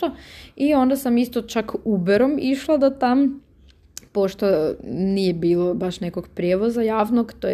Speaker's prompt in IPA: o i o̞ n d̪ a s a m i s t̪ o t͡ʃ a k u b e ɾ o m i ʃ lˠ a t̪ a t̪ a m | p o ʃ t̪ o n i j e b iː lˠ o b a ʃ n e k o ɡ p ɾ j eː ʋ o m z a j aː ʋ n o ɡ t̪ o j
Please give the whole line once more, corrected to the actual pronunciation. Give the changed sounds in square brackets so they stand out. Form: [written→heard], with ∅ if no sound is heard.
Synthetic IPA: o i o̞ n d̪ a s a m i s t̪ o t͡ʃ a k u b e ɾ o m i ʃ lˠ a [t̪→d̪] a t̪ a m | p o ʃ t̪ o n i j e b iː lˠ o b a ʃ n e k o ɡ p ɾ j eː ʋ o [m→∅] z a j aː ʋ n o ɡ t̪ o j